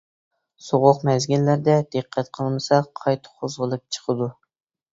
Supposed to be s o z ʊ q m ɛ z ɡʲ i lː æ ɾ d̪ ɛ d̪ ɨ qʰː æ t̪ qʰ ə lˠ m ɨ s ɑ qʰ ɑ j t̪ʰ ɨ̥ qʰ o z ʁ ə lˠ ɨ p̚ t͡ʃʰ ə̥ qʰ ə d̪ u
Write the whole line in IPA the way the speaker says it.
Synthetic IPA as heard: s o ʁ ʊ q m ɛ z ɡʲ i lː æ ɾ d̪ ɛ d̪ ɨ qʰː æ t̪ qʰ ə lˠ m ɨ s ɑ qʰ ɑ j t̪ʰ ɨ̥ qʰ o z ʁ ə lˠ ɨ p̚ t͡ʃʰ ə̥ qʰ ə d̪ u

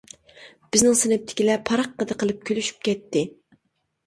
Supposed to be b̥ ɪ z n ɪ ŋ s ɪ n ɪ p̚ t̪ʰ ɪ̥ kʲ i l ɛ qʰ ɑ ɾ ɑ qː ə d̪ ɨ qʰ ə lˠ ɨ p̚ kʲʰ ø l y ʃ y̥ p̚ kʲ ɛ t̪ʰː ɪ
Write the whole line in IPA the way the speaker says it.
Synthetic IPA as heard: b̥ ɪ z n ɪ ŋ s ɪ n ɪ p̚ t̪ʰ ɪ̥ kʲ i l ɛ pʰ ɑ ɾ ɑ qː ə d̪ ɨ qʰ ə lˠ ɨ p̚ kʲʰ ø l y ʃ y̥ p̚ kʲ ɛ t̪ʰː ɪ

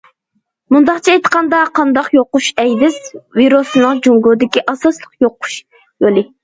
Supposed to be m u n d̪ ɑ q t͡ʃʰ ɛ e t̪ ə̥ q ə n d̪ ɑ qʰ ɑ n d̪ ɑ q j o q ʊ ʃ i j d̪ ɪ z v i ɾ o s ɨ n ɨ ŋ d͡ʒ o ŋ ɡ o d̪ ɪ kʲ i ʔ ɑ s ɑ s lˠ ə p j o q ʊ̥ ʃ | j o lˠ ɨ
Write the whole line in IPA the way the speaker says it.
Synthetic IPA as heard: m u n d̪ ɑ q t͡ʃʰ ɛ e t̪ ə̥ q ɑ n d̪ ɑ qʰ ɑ n d̪ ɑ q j o q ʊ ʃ ɛ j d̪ ɪ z v i ɾ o s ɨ n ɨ ŋ d͡ʒ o ŋ ɡ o d̪ ɪ kʲ i ʔ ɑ s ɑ s lˠ ə q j o q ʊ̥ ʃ | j o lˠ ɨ

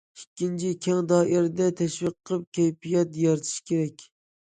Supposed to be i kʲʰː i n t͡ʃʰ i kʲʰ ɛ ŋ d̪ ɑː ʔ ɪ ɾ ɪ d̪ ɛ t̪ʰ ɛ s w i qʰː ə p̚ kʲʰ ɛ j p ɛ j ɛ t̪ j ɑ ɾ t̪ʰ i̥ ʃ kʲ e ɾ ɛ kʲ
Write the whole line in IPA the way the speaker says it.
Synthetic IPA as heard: i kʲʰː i n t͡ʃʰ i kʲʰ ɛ ŋ d̪ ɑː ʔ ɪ ɾ ɪ d̪ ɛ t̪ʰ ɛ ʃ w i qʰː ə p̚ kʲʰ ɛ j p i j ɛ t̪ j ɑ ɾ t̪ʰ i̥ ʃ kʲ e ɾ ɛ kʲ

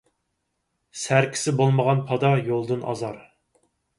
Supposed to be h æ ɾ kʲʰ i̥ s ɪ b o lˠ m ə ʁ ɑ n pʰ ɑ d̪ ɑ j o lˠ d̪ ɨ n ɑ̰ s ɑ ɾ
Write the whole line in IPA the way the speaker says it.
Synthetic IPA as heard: s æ ɾ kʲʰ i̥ s ɪ b o lˠ m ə ʁ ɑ n pʰ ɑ d̪ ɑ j o lˠ d̪ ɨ n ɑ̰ z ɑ ɾ

